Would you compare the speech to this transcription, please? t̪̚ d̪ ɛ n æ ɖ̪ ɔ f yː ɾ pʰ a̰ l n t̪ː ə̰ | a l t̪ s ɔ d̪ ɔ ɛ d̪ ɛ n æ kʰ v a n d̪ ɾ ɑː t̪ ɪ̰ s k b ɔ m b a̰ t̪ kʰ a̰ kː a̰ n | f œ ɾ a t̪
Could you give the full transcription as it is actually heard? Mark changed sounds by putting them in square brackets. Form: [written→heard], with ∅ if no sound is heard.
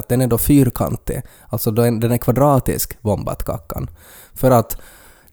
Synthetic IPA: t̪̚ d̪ ɛ n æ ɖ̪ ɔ f yː ɾ [pʰ→kʰ] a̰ [l→∅] n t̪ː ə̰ | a l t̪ s ɔ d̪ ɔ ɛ d̪ ɛ n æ kʰ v a [n→∅] d̪ ɾ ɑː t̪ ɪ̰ s k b ɔ m b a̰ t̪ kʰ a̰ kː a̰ n | f œ ɾ a t̪